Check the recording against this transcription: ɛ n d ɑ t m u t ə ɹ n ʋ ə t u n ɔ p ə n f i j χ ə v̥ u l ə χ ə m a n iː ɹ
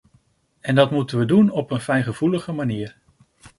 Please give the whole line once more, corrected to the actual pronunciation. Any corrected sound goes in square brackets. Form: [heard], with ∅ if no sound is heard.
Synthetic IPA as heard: ɛ n d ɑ t m u t ə [∅] n ʋ ə [d] u n ɔ p ə n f [ɛ] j χ ə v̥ u l ə χ ə m a n iː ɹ